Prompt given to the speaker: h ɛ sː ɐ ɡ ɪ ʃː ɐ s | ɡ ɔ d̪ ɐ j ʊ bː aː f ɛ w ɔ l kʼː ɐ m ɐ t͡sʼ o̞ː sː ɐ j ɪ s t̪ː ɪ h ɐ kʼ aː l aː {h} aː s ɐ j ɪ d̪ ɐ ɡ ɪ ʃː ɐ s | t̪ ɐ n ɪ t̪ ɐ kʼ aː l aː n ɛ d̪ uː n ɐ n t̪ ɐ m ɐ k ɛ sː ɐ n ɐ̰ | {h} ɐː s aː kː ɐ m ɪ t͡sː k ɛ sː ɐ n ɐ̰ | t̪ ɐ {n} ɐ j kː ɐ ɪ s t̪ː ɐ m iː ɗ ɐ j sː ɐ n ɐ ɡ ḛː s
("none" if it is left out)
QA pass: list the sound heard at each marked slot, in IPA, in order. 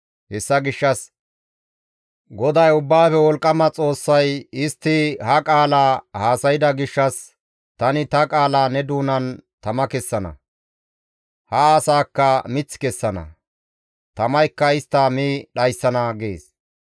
h, h, m

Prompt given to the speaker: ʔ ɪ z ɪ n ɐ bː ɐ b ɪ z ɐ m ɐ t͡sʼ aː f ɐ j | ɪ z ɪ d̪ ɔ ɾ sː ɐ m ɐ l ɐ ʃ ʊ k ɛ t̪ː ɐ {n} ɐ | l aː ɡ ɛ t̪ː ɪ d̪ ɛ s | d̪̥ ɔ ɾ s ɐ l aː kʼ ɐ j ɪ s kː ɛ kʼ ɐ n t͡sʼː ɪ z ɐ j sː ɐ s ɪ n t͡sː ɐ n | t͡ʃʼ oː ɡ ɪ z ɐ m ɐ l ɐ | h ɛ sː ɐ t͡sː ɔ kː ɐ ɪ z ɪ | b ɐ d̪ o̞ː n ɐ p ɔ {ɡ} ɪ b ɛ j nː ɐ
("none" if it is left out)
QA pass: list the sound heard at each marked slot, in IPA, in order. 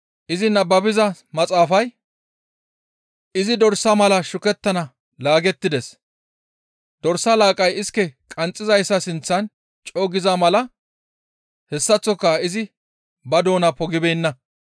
n, ɡ

